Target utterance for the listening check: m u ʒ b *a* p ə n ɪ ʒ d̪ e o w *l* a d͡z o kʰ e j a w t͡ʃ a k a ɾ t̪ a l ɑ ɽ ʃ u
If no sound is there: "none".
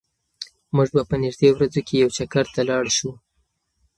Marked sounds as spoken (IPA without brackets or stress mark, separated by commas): a, ɾ